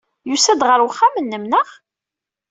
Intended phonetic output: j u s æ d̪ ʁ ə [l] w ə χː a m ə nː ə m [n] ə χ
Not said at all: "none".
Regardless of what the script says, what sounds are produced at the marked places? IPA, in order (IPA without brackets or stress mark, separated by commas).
ɾ, n